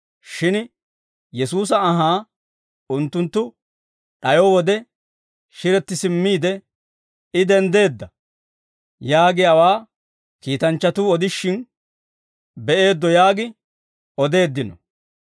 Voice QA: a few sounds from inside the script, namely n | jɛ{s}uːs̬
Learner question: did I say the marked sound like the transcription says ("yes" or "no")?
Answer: yes